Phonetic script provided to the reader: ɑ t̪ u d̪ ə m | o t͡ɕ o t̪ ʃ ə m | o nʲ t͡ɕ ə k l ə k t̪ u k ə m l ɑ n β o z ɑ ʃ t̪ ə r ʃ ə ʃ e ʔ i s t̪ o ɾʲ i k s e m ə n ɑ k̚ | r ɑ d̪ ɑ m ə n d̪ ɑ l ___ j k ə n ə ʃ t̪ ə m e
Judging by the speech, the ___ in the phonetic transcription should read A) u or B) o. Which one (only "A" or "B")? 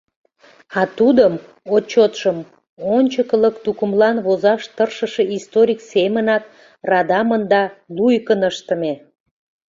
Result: A